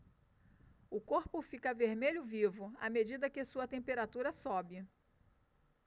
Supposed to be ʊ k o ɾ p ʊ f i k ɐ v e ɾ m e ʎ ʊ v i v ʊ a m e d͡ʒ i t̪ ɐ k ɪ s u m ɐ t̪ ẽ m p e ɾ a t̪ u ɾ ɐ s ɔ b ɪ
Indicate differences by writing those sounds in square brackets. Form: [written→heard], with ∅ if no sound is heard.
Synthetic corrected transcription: ʊ k o ɾ p ʊ f i k ɐ v e ɾ m e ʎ ʊ v i v ʊ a m e d͡ʒ i [t̪→d̪] ɐ k ɪ s u [m→∅] ɐ t̪ ẽ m p e ɾ a t̪ u ɾ ɐ s ɔ b ɪ

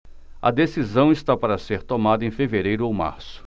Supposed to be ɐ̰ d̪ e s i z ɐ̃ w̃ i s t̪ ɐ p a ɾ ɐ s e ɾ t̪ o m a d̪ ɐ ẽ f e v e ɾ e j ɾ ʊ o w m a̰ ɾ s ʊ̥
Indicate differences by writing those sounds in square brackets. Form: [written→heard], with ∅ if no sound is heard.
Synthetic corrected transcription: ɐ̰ d̪ e s i z ɐ̃ w̃ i s t̪ [ɐ→a] p a ɾ ɐ s e ɾ t̪ o m a d̪ ɐ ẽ f e v e ɾ e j ɾ ʊ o w m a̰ ɾ s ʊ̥

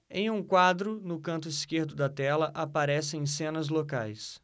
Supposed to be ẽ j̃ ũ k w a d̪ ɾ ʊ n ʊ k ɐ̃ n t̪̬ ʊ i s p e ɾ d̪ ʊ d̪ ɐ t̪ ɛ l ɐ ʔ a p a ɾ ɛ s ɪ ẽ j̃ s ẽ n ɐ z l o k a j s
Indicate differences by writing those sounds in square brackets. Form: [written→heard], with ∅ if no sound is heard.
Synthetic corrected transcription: ẽ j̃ ũ k w a d̪ ɾ ʊ n ʊ k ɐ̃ n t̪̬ ʊ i s [p→k] e ɾ d̪ ʊ d̪ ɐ t̪ ɛ l ɐ ʔ a p a ɾ ɛ s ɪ ẽ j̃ s ẽ n ɐ z l o k a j s

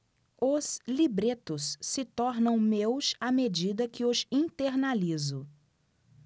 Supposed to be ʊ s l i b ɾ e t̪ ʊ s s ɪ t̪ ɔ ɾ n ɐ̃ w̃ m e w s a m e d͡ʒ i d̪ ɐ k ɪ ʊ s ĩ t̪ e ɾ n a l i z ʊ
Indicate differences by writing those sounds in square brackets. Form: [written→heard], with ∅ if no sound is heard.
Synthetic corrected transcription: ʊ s l i b ɾ e t̪ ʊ s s ɪ t̪ ɔ ɾ n ɐ̃ w̃ m e w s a m e d͡ʒ i d̪ ɐ k ɪ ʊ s ĩ t̪ e ɾ n a l i z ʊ

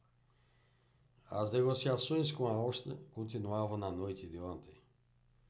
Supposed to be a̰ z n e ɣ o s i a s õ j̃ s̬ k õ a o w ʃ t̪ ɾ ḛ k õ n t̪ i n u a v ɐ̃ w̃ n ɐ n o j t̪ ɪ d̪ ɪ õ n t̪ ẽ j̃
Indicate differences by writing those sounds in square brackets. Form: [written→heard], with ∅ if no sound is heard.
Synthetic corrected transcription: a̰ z n e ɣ o s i a s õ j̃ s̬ k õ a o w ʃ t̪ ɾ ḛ k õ n t̪ i n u a v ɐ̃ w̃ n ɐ n o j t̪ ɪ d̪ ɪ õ n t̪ ẽ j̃

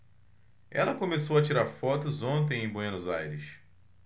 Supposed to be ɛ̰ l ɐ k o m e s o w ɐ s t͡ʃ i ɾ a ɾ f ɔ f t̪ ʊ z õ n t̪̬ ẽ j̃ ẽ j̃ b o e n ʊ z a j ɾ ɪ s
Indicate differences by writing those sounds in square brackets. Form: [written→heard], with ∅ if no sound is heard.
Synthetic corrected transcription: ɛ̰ l ɐ k o m e s o w ɐ [s→∅] t͡ʃ i ɾ a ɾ f ɔ [f→∅] t̪ ʊ z õ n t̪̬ ẽ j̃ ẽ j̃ b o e n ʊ z a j ɾ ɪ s

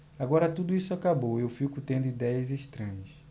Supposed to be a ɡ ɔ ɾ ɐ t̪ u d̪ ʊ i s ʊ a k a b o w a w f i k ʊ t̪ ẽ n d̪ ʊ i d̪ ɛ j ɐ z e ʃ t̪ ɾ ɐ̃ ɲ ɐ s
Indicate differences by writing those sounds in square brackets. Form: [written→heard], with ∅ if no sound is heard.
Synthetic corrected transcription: a ɡ ɔ ɾ ɐ t̪ u d̪ ʊ i s ʊ a k a b o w [a→e] w f i k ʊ t̪ ẽ n d̪ ʊ i d̪ ɛ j ɐ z e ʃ t̪ ɾ ɐ̃ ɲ ɐ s

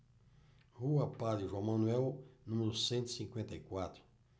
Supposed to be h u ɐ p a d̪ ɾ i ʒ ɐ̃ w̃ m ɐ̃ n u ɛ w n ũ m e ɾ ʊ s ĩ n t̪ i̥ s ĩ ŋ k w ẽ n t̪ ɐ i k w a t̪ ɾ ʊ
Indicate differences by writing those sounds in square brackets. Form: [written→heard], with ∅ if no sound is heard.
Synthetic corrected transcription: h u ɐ p a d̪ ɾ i ʒ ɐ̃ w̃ m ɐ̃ n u ɛ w n ũ m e ɾ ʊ s [ĩ→ẽ] n t̪ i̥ s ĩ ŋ k w ẽ n t̪ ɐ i k w a t̪ ɾ ʊ

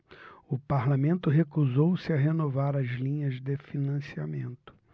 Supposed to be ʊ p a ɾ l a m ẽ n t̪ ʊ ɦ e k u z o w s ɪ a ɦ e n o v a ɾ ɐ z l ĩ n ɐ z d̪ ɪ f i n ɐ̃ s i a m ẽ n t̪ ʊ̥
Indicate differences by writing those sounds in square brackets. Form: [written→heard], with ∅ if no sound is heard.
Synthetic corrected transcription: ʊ p a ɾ l a m ẽ n t̪ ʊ ɦ e k u z o w s ɪ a ɦ e n o v a ɾ ɐ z l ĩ [n→ɲ] ɐ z d̪ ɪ f i n ɐ̃ s i a m ẽ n t̪ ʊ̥

